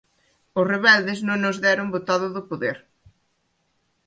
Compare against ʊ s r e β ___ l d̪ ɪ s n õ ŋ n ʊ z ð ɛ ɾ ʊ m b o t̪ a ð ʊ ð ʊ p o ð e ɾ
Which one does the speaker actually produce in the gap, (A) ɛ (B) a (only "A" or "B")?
A